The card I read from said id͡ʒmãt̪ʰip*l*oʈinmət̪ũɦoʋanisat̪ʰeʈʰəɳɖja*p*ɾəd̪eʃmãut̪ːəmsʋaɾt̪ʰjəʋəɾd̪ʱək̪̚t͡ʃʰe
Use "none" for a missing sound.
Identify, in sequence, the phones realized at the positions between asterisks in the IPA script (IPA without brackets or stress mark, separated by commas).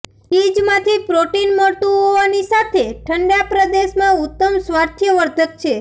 ɾ, p